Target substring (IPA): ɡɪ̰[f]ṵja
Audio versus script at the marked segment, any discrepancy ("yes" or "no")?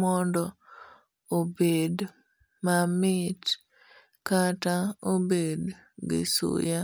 yes